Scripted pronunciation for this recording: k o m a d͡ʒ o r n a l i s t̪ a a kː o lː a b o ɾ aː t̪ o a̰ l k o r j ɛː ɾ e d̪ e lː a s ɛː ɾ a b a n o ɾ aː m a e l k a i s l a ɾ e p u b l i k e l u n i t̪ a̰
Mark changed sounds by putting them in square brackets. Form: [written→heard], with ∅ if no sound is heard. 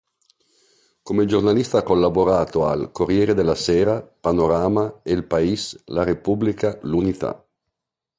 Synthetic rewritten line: k o m [a→e] d͡ʒ o r n a l i s t̪ a a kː o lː a b o ɾ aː t̪ o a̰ l k o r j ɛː ɾ e d̪ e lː a s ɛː ɾ a [b→p] a n o ɾ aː m a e l [k→p] a i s l a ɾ e p u b l i k [e→a] l u n i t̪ a̰